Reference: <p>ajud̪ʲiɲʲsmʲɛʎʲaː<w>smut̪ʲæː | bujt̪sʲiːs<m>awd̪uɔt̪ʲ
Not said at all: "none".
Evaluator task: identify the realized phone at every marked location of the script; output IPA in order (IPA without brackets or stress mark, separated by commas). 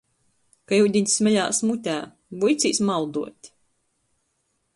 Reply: k, none, m